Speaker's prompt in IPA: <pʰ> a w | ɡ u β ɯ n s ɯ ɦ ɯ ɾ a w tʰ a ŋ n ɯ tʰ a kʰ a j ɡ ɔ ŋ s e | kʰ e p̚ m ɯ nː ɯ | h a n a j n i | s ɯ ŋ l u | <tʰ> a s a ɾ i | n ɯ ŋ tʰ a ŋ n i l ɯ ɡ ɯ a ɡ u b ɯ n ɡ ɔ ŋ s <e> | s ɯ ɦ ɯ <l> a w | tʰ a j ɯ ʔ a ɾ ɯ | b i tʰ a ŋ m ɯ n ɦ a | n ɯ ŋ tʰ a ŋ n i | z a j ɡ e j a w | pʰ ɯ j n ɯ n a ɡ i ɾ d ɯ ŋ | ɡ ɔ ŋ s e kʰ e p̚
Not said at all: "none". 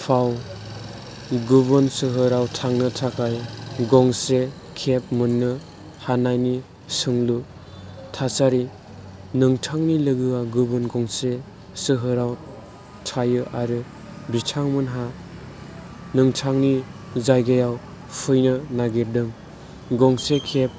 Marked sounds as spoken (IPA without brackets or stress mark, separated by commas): pʰ, tʰ, e, ɾ